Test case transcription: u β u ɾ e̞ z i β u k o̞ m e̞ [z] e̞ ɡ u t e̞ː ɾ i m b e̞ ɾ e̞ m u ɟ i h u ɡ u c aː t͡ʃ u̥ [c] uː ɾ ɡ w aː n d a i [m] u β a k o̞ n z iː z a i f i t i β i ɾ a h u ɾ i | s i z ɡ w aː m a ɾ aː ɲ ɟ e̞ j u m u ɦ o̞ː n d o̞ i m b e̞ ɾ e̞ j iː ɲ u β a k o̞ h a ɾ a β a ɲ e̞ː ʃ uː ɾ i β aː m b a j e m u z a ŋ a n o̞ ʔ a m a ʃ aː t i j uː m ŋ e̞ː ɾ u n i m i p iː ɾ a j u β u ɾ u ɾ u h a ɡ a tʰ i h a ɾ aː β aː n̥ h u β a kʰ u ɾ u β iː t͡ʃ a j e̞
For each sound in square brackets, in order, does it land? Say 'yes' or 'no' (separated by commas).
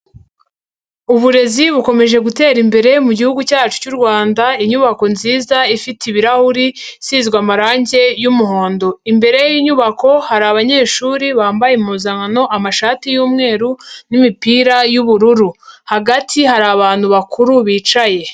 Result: no, yes, no